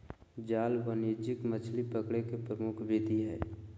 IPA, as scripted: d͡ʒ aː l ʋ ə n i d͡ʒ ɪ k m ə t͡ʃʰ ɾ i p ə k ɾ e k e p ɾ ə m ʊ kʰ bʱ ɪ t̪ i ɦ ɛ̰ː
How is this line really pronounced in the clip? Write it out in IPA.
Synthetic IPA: d͡ʒ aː l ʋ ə n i d͡ʒ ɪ k m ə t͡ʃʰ l i p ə k ɽ e k e p ɾ ə m ʊ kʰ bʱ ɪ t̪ i ɦ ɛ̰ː